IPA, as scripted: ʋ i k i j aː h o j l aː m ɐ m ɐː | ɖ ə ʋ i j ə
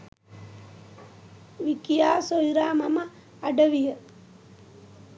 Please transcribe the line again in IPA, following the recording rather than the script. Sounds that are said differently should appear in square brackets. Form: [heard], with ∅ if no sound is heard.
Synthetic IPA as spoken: ʋ i k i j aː [s] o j [ɾ] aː m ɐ m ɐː | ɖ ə ʋ i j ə

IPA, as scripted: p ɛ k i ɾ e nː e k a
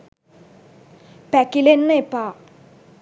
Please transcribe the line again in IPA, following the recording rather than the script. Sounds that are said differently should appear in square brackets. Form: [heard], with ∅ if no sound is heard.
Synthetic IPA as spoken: p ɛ k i [l] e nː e [p] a

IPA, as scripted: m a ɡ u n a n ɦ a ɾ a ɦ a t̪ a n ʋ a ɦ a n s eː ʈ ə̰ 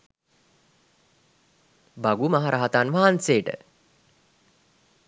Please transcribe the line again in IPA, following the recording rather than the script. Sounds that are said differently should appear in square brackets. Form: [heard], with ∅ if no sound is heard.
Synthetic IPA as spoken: [b] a ɡ u [m] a [∅] ɦ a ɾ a ɦ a t̪ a n ʋ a ɦ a n s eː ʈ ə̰

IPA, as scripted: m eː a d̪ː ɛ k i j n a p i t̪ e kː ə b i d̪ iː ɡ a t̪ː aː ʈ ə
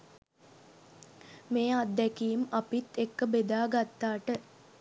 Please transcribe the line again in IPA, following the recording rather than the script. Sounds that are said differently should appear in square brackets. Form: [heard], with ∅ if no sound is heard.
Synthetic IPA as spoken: m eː a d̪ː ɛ k i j [m] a p i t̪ e kː ə b [e] d̪ [aː] ɡ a t̪ː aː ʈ ə

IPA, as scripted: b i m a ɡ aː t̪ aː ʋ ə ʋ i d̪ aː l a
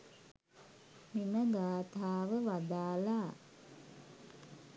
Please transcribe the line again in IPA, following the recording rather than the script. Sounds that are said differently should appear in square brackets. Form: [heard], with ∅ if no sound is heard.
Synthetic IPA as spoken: [m] i m [ə] ɡ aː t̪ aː ʋ ə ʋ [a] d̪ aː l a

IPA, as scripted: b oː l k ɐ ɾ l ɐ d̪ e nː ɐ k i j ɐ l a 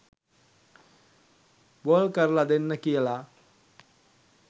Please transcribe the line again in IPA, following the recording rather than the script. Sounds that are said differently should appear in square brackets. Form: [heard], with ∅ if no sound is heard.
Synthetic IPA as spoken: b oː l k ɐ ɾ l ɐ d̪ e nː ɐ k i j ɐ l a

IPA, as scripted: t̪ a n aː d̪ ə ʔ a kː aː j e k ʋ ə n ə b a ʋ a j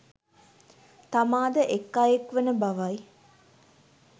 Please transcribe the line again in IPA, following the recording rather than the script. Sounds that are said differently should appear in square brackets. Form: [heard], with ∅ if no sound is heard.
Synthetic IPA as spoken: t̪ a [m] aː d̪ ə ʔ [e] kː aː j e k ʋ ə n ə b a ʋ a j

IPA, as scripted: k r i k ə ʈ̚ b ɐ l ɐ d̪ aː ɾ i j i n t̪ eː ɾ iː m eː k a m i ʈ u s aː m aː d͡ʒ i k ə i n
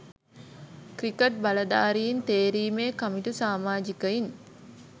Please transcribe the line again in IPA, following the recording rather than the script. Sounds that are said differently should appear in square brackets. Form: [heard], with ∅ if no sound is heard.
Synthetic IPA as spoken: k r i k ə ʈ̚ b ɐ l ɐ d̪ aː ɾ i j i n t̪ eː ɾ iː m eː k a m i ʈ u s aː m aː d͡ʒ i k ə i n

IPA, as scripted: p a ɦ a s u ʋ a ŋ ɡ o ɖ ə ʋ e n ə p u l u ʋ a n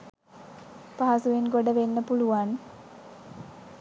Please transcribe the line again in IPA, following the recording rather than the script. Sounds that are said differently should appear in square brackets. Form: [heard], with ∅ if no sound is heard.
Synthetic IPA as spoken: p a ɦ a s u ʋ [e] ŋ ɡ o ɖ ə ʋ e [nː] ə p u l u ʋ a n

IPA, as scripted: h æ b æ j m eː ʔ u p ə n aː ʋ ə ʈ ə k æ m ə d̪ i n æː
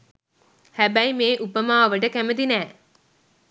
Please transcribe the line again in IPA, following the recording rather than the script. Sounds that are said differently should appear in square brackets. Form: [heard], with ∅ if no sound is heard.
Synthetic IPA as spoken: h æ b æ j m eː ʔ u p ə [m] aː ʋ ə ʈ ə k æ m ə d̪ i n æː

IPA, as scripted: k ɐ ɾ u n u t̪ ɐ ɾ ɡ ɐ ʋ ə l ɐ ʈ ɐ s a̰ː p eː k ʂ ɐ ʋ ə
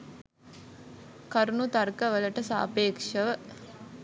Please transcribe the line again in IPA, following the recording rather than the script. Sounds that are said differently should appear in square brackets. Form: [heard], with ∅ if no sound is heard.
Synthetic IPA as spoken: k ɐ ɾ u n u t̪ ɐ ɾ [k] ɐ ʋ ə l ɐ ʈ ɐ s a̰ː p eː k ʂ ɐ ʋ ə

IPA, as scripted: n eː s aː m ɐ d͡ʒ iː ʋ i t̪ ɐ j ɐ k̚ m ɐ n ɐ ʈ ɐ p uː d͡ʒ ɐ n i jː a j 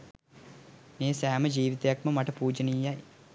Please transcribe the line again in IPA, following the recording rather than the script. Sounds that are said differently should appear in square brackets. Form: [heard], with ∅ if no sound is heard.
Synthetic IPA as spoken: n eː s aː m ɐ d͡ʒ iː ʋ i t̪ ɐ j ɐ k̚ m ɐ [m] ɐ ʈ ɐ p uː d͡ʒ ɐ n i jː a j

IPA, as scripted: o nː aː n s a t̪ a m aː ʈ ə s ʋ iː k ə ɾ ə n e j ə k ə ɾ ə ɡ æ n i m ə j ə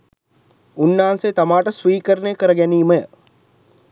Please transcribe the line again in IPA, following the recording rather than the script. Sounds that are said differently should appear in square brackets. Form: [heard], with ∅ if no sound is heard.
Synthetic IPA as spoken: [u] nː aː n s [e] t̪ a m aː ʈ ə s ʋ iː k ə ɾ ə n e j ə k ə ɾ ə ɡ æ n [iː] m ə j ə

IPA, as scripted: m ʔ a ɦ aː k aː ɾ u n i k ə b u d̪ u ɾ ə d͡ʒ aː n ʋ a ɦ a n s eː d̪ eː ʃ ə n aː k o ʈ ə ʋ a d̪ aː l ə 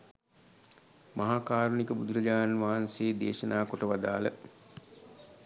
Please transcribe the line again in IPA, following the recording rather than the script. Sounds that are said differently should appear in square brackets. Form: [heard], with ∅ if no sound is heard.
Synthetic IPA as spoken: m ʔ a ɦ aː k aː ɾ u n i k ə b u d̪ u ɾ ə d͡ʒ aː n ʋ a ɦ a n s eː d̪ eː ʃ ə n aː k o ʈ ə ʋ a d̪ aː l ə

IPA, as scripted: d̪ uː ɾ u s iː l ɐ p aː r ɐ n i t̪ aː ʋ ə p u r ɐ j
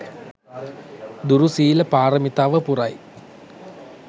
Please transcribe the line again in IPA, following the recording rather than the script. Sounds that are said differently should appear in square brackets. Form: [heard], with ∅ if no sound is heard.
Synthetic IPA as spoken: d̪ [u] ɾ u s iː l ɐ p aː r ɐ [m] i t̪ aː ʋ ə p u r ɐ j

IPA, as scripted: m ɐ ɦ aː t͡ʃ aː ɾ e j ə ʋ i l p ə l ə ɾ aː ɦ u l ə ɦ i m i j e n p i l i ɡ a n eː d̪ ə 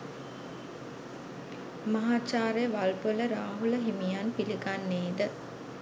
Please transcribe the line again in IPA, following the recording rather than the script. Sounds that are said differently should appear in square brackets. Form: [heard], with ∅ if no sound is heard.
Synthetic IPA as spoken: m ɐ ɦ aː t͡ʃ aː ɾ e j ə ʋ [a] l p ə l ə ɾ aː ɦ u l ə ɦ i m i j [a] n p i l i ɡ a [nː] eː d̪ ə

